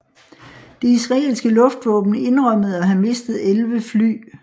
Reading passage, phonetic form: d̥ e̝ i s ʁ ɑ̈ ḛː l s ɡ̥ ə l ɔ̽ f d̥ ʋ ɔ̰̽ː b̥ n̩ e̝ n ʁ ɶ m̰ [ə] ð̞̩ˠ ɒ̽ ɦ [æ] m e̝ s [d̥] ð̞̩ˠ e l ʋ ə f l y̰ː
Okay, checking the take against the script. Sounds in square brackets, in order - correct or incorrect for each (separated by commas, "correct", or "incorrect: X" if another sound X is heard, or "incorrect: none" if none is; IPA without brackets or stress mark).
correct, correct, correct